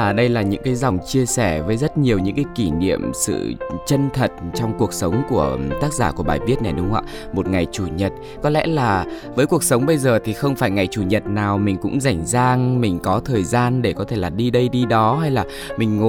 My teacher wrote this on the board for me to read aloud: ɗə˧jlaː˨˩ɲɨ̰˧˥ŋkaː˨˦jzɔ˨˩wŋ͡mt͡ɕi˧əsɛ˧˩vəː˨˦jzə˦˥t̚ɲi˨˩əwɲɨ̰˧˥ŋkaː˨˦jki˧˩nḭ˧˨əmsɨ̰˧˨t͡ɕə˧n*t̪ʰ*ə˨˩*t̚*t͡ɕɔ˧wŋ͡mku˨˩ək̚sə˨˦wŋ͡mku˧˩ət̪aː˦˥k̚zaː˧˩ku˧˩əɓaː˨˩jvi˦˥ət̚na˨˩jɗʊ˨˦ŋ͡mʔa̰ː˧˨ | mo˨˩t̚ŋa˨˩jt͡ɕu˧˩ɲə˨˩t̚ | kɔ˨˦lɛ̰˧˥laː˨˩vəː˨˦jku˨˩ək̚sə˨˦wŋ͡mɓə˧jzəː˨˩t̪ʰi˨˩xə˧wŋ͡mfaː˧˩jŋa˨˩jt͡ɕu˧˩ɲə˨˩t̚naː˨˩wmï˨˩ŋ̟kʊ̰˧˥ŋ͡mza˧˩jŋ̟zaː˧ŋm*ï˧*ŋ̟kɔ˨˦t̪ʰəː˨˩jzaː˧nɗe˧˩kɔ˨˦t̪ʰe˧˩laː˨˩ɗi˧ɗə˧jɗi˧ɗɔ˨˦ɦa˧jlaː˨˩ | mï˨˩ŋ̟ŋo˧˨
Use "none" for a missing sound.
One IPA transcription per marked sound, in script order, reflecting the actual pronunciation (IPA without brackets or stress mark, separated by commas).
t̪ʰ, t̚, ï˨˩